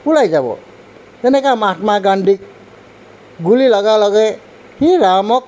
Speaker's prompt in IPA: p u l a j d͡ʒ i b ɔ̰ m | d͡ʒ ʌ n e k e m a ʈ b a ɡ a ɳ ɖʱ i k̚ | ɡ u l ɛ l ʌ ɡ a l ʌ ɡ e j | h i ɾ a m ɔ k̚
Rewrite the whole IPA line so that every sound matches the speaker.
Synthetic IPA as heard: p u l a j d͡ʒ a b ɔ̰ | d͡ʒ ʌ n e k a m a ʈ m a ɡ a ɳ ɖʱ i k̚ | ɡ u l i l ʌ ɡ a l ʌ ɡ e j | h i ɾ a m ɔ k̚